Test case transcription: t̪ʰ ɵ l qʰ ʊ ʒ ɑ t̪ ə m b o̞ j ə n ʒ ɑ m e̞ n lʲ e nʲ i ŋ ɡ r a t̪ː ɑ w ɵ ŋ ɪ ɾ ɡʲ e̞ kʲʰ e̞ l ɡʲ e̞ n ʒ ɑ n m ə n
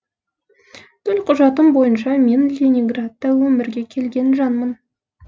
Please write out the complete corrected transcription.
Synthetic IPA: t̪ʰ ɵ l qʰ ʊ ʒ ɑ t̪ ə m b o̞ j ə n ʃ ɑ m e̞ n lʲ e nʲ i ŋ ɡ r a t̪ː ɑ w ɵ m ɪ ɾ ɡʲ e̞ kʲʰ e̞ l ɡʲ e̞ n ʒ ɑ n m ə n

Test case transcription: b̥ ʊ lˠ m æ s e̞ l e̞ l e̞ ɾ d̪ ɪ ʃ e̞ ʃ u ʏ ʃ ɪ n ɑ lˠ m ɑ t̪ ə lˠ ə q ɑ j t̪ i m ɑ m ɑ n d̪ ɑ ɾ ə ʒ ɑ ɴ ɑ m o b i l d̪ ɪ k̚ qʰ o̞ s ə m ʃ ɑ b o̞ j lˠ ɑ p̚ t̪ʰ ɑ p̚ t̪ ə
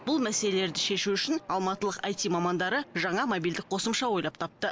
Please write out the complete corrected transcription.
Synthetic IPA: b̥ ʊ lˠ m æ s e̞ l e̞ l e̞ ɾ d̪ ɪ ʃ e̞ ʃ u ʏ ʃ ɪ n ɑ lˠ m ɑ t̪ ə lˠ ə q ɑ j t̪ i m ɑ m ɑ n d̪ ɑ ɾ ə ʒ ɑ ɴ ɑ m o b i l d̪ ɪ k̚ qʰ o̞ s ə m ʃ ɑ w o̞ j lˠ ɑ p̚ t̪ʰ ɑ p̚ t̪ ə

